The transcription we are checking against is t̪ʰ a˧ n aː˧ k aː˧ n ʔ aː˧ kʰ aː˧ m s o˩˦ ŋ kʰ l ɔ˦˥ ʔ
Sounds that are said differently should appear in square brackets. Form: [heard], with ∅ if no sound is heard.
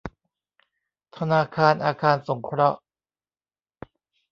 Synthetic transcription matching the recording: t̪ʰ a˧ n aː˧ [kʰ] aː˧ n ʔ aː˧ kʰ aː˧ [n] s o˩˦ ŋ kʰ [ɾ] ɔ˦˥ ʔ

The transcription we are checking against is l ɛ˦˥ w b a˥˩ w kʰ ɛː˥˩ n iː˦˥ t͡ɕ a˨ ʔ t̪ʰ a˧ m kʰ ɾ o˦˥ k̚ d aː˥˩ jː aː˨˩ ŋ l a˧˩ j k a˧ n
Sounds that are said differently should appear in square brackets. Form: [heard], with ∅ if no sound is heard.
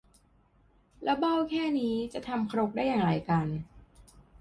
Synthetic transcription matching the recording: l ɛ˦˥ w b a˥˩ w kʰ ɛː˥˩ n iː˦˥ t͡ɕ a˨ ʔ t̪ʰ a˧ m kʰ ɾ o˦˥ k̚ d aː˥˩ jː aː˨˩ ŋ [ɾ] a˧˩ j k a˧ n

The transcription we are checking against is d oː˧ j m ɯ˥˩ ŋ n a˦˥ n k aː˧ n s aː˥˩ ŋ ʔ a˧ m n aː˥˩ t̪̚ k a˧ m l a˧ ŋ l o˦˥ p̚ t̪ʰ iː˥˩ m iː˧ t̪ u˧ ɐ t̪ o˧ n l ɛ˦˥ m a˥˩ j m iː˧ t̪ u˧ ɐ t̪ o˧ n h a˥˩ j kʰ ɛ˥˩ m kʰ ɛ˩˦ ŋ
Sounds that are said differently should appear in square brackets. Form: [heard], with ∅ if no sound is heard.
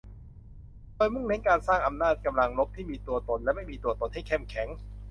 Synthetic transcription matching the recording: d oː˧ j m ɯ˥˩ ŋ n [e˦˥] n k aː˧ n s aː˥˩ ŋ ʔ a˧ m n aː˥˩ t̪̚ k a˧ m l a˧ ŋ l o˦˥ p̚ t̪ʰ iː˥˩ m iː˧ t̪ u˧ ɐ t̪ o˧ n l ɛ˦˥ m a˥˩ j m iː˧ t̪ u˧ ɐ t̪ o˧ n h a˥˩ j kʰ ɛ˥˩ m kʰ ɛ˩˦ ŋ

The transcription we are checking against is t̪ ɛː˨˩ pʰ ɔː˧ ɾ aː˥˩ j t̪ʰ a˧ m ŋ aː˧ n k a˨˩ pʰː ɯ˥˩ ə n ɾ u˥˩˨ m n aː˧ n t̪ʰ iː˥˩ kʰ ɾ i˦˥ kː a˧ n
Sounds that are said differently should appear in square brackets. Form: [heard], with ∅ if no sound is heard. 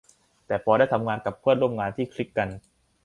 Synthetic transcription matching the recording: t̪ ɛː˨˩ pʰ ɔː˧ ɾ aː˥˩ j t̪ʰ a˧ m ŋ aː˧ n k a˨˩ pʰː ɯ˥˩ ə n ɾ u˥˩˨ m [ŋ] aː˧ n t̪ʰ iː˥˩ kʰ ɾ i˦˥ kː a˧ n

